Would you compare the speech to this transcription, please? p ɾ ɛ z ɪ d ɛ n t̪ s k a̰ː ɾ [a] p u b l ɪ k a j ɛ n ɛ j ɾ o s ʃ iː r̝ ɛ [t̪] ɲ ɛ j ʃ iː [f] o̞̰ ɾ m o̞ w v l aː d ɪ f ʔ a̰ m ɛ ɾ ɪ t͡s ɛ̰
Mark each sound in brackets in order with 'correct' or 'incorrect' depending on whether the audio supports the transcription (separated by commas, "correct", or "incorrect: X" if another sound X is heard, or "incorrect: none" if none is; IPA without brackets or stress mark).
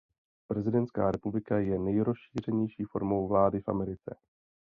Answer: incorrect: ɛ, incorrect: none, correct